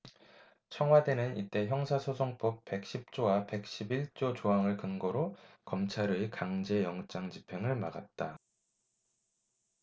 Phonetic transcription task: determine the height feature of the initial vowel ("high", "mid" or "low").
mid